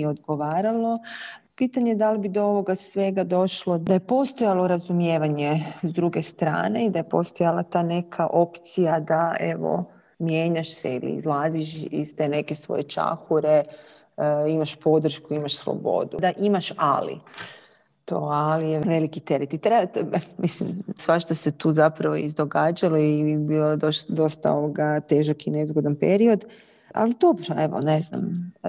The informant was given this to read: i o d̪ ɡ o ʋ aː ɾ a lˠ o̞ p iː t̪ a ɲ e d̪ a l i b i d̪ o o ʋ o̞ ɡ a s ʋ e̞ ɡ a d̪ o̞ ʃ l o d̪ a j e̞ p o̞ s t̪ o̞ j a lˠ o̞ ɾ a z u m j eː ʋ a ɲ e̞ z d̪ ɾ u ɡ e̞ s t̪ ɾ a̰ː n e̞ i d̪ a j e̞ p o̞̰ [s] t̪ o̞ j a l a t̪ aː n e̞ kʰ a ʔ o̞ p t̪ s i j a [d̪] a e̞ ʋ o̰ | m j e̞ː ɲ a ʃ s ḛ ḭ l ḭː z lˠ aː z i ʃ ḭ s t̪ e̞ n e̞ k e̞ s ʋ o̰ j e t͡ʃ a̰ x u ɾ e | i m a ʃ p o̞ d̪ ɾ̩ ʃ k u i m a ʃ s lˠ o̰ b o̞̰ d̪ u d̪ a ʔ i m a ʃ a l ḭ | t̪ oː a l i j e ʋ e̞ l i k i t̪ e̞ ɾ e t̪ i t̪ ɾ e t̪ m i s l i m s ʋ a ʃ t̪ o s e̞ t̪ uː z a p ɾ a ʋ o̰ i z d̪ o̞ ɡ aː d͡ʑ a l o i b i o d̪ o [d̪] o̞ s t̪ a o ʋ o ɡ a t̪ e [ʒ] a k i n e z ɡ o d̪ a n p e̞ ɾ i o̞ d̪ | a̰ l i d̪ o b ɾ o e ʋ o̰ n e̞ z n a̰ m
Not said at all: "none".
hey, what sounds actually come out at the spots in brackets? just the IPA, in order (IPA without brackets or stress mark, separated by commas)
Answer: s, d̪, d̪, ʒ